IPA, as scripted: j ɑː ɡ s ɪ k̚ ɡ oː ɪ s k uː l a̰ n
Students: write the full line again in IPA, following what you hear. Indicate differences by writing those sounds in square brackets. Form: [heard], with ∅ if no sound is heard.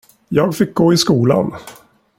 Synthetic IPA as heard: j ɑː ɡ [f] ɪ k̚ ɡ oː ɪ s k uː l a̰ n